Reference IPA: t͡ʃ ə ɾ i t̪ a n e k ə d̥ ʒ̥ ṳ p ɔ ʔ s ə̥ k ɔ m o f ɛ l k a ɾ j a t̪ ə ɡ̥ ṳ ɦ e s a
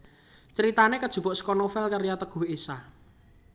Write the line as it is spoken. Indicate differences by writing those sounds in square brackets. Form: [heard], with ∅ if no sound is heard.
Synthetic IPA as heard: t͡ʃ ə ɾ i t̪ a n e k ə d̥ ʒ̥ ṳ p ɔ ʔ s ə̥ k ɔ [n] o f ɛ l k a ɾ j a t̪ ə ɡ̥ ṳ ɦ e s a